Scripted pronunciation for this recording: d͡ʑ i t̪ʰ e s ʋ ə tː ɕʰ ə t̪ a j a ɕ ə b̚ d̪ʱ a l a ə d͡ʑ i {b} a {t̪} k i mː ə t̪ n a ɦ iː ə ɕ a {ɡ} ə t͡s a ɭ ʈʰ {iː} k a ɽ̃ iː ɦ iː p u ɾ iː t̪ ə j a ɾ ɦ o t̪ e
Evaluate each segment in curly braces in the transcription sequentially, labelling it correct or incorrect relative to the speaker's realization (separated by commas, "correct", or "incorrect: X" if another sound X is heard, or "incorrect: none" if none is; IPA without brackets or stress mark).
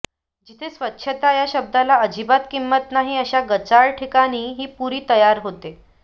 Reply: correct, correct, correct, incorrect: i